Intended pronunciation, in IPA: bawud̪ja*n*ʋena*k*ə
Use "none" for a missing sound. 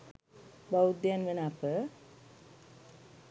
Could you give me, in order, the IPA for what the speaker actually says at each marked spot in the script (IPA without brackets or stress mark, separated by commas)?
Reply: n, p